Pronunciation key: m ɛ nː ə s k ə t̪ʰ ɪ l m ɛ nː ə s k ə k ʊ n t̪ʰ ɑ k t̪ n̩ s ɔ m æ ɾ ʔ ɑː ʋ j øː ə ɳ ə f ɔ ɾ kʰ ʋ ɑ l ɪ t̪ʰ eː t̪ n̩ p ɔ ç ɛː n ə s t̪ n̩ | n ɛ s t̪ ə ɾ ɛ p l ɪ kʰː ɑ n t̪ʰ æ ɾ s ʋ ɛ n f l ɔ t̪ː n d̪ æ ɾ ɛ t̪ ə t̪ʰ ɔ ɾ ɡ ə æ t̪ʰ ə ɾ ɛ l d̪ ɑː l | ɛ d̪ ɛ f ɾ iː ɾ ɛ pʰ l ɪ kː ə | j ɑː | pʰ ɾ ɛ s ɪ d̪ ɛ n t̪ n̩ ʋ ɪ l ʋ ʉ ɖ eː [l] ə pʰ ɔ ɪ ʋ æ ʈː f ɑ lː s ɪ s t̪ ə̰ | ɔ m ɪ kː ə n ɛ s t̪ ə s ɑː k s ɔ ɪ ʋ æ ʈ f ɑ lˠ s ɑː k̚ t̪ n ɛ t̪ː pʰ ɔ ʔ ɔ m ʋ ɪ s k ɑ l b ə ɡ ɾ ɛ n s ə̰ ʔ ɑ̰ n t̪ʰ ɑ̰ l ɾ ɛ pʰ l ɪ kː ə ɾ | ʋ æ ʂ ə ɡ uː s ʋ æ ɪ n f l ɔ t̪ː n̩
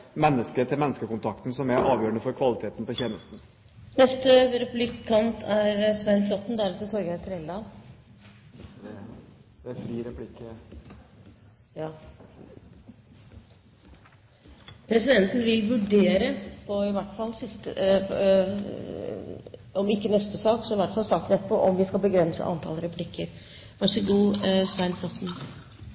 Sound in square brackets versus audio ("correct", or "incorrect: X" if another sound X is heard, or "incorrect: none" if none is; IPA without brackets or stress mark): incorrect: ɾ